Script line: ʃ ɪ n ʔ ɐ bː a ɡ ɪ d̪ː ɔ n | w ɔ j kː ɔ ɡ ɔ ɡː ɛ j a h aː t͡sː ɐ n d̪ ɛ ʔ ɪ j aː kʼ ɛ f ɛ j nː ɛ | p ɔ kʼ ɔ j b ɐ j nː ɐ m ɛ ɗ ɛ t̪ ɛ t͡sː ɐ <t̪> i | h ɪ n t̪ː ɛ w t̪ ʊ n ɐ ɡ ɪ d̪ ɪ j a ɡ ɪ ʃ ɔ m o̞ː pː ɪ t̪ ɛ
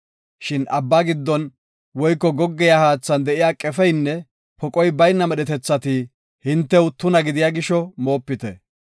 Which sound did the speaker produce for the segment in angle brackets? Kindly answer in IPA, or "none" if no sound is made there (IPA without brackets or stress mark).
t̪